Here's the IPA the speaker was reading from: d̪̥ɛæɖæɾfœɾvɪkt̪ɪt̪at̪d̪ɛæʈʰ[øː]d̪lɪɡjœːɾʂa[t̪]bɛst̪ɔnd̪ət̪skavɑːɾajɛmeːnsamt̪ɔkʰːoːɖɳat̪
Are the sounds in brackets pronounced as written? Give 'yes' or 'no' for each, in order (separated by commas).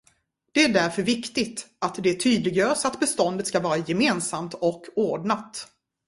no, yes